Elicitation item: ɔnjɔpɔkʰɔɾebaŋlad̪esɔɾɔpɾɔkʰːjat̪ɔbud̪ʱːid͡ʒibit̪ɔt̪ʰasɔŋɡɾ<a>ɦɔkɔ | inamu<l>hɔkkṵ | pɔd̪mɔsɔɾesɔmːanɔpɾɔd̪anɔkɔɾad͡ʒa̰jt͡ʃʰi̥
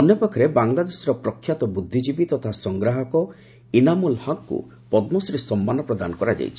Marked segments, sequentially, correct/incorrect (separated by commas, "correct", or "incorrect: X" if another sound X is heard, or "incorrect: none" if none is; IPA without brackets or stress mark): correct, correct